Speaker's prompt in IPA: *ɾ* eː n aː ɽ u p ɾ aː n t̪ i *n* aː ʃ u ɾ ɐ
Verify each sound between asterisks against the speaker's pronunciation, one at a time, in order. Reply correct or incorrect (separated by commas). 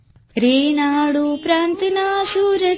correct, correct